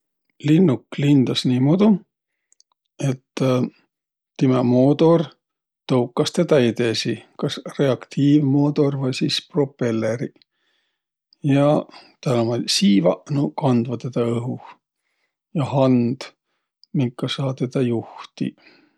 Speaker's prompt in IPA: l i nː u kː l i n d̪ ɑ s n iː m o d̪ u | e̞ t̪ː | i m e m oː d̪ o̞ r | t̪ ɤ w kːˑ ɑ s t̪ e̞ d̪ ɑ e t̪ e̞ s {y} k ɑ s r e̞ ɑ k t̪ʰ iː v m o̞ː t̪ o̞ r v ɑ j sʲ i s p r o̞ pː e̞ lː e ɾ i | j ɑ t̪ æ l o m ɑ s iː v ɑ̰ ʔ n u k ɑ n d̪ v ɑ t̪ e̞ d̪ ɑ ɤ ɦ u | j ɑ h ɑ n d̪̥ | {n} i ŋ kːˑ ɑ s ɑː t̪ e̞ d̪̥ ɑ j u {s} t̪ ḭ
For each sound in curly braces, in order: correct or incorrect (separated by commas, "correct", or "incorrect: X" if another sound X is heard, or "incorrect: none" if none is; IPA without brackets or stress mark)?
incorrect: i, incorrect: m, incorrect: h